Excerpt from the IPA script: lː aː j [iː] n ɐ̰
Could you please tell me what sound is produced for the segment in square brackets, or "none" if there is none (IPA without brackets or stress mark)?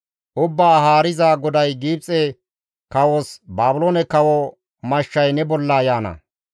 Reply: aː